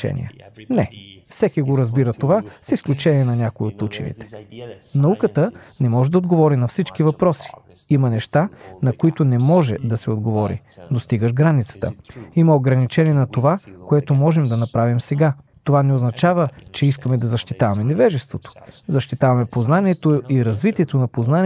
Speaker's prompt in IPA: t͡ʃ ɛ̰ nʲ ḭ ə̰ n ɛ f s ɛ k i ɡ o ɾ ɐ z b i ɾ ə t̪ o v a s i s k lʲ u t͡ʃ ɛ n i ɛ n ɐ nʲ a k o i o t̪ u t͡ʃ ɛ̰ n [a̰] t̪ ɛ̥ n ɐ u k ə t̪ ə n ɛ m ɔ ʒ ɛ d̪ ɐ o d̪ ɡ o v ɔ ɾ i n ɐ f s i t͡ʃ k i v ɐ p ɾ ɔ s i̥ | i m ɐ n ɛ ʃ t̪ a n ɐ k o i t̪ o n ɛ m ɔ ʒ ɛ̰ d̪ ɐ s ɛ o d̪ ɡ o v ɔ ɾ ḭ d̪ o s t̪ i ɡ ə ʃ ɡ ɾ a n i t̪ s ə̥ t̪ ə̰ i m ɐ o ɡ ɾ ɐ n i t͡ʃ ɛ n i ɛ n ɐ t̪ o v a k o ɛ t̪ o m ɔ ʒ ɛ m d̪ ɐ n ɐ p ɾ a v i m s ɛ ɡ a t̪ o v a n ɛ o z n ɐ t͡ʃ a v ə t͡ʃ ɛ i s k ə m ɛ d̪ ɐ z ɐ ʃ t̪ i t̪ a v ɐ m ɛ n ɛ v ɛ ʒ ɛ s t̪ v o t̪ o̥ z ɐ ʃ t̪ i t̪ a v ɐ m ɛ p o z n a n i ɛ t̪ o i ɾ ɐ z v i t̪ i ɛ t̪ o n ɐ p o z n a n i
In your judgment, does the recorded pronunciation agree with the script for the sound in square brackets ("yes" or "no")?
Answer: no